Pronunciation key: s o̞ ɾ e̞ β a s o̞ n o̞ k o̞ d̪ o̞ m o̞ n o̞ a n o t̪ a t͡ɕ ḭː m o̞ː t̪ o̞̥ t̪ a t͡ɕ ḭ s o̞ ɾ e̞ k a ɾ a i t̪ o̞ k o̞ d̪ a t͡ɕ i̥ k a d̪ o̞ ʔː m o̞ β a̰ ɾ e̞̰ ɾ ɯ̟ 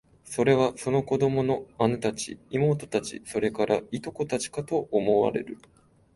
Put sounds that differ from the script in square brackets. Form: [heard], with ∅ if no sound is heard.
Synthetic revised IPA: s o̞ ɾ e̞ β a s o̞ n o̞ k o̞ d̪ o̞ m o̞ n o̞ a n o t̪ a t͡ɕ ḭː m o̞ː t̪ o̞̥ t̪ a t͡ɕ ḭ s o̞ ɾ e̞ k a ɾ a i t̪ o̞ k o̞ [t̪] a t͡ɕ i̥ k a [t̪] o̞ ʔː m o̞ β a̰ ɾ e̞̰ ɾ ɯ̟